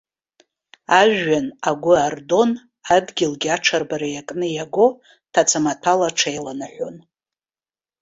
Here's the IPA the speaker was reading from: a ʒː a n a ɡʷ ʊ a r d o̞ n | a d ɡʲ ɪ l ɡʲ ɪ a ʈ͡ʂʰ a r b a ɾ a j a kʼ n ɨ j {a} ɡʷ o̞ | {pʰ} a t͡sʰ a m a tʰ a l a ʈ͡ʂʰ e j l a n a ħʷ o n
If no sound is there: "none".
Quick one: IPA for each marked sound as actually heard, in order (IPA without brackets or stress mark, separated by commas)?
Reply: a, tʰ